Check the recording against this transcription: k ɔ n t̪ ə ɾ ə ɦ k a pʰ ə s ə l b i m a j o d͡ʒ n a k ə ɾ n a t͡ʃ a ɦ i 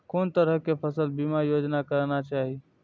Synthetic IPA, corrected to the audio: k o n t̪ ə ɾ ə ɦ k e pʰ ə s ə l b i m a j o d͡ʒ n a k ə ɾ n a t͡ʃ a ɦ i